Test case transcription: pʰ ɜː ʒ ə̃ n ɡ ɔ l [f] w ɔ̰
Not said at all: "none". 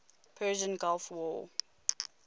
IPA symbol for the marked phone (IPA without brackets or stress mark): f